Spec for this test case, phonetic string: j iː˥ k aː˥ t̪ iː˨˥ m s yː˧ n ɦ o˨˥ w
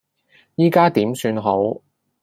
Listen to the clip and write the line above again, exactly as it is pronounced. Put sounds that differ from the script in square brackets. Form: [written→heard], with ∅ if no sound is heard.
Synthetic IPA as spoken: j iː˥ k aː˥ t̪ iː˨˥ m s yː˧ n ɦ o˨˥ w